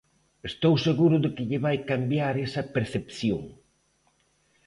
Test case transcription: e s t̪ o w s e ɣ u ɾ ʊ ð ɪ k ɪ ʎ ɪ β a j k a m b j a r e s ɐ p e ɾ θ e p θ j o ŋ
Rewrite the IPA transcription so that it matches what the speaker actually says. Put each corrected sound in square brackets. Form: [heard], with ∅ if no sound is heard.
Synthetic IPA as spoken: e s t̪ o w s e ɣ u ɾ ʊ ð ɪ k ɪ ʎ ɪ β a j k a m b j a [ɾ] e s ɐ p e ɾ θ e p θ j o ŋ